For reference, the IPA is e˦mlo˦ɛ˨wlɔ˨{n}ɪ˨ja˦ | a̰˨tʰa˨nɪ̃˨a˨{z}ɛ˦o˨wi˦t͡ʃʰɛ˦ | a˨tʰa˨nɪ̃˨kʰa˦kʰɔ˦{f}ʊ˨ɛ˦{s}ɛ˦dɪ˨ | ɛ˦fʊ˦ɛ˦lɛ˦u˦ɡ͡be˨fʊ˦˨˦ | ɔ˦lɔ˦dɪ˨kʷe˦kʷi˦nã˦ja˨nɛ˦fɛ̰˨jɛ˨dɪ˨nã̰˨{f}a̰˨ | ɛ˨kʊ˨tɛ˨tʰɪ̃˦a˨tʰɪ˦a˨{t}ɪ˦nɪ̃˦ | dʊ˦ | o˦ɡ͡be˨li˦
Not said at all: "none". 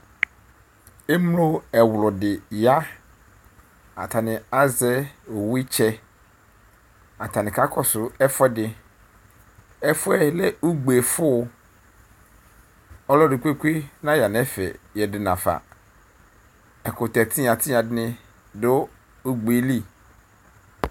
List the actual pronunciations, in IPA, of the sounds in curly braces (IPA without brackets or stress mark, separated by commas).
d, z, s, f, f, d